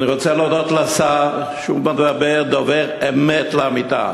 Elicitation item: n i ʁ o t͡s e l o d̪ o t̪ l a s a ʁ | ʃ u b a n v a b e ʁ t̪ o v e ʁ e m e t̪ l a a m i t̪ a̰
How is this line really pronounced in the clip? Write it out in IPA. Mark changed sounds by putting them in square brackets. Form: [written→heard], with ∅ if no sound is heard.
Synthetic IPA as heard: n i ʁ o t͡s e l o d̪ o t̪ l a s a ʁ | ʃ u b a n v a b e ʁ [t̪→d̪] o v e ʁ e m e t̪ l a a m i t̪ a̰

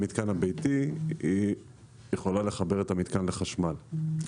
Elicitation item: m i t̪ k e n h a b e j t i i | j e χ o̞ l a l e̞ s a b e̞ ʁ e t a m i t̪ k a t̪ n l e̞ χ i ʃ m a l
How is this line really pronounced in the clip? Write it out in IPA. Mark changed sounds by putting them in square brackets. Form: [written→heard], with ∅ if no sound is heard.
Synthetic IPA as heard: m i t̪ k [e→a] n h a b e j t i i | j e χ o̞ l a l e̞ [s→χ] a b e̞ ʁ e t a m i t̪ k a [t̪→∅] n l e̞ χ [i→a] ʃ m a l

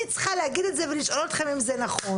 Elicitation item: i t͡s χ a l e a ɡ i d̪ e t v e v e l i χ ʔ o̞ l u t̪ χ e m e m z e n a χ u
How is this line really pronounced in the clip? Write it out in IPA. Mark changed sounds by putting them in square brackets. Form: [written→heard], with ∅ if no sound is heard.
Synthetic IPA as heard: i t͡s χ a l e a ɡ i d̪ e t [v→z] e v e l i [χ→ʃ] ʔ o̞ l [u→o] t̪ χ e m [e→i] m z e n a χ [u→o]

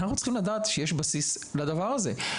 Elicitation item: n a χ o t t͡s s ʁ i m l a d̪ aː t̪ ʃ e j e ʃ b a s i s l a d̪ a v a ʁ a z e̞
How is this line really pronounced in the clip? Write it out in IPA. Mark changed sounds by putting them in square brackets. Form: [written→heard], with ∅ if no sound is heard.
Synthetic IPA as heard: n a χ [o→u] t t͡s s [ʁ→χ] i m l a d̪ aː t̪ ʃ e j e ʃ b a s i s l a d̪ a v a ʁ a z e̞

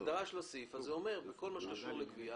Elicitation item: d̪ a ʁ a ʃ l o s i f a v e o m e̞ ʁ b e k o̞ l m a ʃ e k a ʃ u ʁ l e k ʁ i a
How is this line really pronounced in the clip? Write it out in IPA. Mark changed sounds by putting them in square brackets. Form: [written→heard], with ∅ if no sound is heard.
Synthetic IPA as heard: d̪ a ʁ a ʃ l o s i f a [v→z] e o m e̞ ʁ b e k o̞ l m a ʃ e k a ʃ u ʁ l e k [ʁ→v] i a

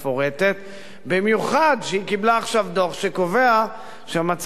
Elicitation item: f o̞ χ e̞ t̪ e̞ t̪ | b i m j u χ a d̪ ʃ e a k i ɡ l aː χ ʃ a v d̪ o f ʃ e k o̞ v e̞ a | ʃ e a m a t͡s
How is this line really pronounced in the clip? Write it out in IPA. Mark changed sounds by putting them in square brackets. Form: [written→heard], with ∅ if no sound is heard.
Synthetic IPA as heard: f o̞ [χ→ʁ] e̞ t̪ e̞ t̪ | b i m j u χ a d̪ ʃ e [a→i] k i [ɡ→b] l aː χ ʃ a v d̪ o [f→χ] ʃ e k o̞ v e̞ a | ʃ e a m a t͡s

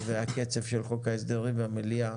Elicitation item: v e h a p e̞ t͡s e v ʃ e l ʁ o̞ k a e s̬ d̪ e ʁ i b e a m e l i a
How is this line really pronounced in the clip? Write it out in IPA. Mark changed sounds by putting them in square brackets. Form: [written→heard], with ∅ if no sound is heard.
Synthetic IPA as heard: v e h a [p→k] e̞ t͡s e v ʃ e l [ʁ→χ] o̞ k a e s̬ d̪ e ʁ i [b→v] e a m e l i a

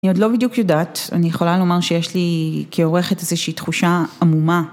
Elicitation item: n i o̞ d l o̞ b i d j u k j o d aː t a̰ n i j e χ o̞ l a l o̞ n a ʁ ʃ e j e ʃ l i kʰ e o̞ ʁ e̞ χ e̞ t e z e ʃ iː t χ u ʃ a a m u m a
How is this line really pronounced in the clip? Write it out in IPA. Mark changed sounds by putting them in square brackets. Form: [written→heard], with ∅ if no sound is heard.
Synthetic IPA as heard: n i o̞ d l o̞ b i d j u k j o d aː t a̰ n i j e χ o̞ l a l o̞ [n→m] a ʁ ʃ e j e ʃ l i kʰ e o̞ ʁ e̞ χ e̞ t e z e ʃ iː t χ u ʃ a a m u m a

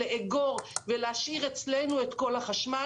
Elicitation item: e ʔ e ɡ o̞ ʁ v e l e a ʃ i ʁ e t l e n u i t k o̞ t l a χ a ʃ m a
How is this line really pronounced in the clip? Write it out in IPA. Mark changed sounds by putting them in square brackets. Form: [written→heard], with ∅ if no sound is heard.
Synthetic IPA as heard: e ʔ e ɡ o̞ ʁ v e l e a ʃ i ʁ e [t→t͡s] l e n u [i→e] t k o̞ [t→∅] l a χ a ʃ m a

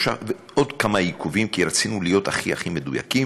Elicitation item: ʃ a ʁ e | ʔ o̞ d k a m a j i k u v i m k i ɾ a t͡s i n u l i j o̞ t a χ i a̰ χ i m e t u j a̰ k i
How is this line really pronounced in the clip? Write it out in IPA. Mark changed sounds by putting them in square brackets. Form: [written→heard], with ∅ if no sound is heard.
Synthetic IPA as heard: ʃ a [ʁ→v] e | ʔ o̞ d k a m a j i k u v i m k i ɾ a t͡s i n u l i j o̞ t a χ i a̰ χ i m e [t→d] u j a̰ k i

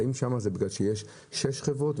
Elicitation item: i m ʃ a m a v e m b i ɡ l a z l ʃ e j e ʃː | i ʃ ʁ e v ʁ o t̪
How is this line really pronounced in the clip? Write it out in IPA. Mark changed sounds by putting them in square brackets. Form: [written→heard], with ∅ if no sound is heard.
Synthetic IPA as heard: i m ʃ a m a [v→z] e [m→∅] b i ɡ l a [z→∅] l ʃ e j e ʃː | [i→e] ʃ [ʁ→χ] e v ʁ o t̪

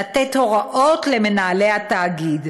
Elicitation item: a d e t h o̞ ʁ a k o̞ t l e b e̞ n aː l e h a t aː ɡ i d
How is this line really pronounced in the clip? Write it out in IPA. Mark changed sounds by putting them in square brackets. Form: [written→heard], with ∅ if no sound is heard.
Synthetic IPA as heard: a [d→t] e t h o̞ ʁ a [k→ʔ] o̞ t l e [b→m] e̞ n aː l e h a t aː ɡ i d

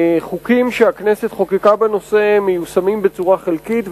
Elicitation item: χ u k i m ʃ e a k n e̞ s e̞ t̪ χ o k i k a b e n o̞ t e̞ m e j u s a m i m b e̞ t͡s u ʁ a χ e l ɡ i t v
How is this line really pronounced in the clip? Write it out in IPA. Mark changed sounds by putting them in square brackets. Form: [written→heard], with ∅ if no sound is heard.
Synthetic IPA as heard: χ u k i m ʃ e a k n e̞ s e̞ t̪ χ o k i k a b e n o̞ [t→s] e̞ m e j u s a m i m b e̞ t͡s u ʁ a χ e l [ɡ→k] i t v

